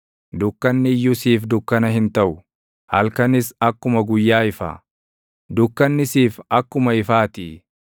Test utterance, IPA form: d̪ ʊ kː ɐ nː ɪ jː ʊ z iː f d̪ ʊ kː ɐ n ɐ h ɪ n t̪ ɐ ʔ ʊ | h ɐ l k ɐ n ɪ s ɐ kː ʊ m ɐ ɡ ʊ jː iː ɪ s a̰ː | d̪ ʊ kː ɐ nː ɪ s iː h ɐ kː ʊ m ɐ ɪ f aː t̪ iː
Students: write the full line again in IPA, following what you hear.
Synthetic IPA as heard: d̪ ʊ kː ɐ nː ɪ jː ʊ s iː f d̪ ʊ kː ɐ n ɐ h ɪ n t̪ ɐ ʔ ʊ | h ɐ l k ɐ n ɪ s ɐ kː ʊ m ɐ ɡ ʊ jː aː ɪ f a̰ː | d̪ ʊ kː ɐ nː ɪ s iː f ɐ kː ʊ m ɐ ɪ f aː t̪ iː